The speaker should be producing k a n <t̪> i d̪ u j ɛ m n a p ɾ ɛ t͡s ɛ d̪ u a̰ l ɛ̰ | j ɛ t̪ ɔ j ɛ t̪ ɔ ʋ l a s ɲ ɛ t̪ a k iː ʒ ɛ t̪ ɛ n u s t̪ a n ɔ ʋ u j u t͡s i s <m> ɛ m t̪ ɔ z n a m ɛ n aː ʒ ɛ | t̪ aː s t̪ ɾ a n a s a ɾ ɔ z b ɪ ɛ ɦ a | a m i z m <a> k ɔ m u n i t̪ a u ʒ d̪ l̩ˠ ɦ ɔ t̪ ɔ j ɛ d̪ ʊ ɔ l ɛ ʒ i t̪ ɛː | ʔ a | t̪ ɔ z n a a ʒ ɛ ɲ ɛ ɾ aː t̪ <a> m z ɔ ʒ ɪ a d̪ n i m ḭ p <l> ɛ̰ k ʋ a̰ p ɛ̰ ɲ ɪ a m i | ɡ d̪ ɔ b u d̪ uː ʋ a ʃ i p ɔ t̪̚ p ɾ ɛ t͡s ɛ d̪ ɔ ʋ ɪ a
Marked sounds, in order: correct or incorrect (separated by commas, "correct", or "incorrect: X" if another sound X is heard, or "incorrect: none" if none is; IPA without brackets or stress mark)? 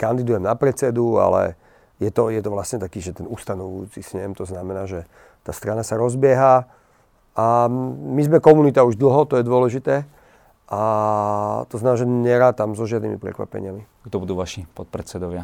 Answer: incorrect: d̪, incorrect: ɲ, incorrect: ɛ, correct, incorrect: ɾ